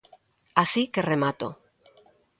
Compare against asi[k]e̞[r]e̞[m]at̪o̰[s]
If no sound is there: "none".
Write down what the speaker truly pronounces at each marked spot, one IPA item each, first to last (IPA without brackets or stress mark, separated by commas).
k, r, m, none